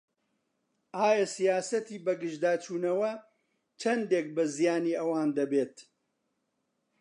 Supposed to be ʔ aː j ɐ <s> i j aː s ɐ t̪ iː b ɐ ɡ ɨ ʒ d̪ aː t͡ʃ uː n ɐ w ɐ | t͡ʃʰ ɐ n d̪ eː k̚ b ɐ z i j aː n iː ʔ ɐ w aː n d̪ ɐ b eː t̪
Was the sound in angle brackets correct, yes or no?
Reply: yes